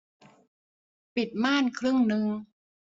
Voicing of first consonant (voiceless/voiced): voiceless